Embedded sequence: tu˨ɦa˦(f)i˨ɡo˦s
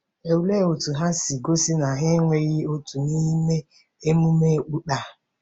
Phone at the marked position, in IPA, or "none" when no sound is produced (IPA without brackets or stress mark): s